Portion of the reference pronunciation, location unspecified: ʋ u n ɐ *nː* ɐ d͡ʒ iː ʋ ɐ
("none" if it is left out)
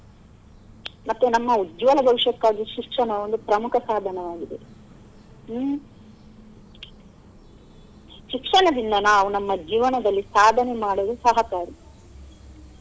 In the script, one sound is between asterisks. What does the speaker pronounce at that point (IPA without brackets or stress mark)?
mː